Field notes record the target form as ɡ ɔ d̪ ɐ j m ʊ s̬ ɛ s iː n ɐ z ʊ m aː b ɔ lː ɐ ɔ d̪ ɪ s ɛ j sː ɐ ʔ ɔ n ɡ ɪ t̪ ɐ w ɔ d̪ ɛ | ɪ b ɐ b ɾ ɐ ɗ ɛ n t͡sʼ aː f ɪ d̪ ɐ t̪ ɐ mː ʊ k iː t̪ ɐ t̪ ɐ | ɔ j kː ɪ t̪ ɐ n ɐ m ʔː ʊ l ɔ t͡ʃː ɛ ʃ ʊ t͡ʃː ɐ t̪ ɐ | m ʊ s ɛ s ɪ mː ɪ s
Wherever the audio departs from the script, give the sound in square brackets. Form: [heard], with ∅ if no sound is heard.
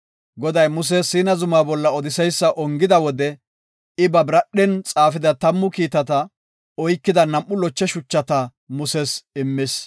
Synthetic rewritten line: ɡ ɔ d̪ ɐ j m ʊ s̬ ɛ s iː n ɐ z ʊ m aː b ɔ lː ɐ ɔ d̪ ɪ s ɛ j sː ɐ ʔ ɔ [ŋ] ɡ ɪ [d̪] ɐ w ɔ d̪ ɛ | ɪ b ɐ b ɾ ɐ ɗ ɛ n t͡sʼ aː f ɪ d̪ ɐ t̪ ɐ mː ʊ k iː t̪ ɐ t̪ ɐ | ɔ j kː ɪ [d̪] ɐ n ɐ m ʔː ʊ l ɔ t͡ʃː ɛ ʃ ʊ t͡ʃː ɐ t̪ ɐ | m ʊ s ɛ s ɪ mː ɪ s